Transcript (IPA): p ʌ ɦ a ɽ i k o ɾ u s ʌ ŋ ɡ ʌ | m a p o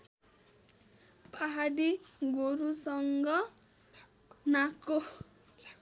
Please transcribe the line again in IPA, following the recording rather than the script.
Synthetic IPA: p a ɦ a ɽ i ɡ o ɾ u s ʌ ŋ ɡ ʌ | n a k o